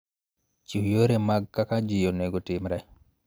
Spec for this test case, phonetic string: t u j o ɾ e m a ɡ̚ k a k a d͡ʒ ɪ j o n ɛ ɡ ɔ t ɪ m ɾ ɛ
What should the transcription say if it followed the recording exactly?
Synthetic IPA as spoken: t͡ʃ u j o ɾ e m a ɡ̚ k a k a d͡ʒ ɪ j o n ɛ ɡ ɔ t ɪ m ɾ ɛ